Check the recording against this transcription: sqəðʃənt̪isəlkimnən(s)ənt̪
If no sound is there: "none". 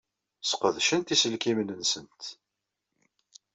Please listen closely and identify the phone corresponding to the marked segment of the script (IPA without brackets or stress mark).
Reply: s